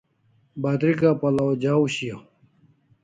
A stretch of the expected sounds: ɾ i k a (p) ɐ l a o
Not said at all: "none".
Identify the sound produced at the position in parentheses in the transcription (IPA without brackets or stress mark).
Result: p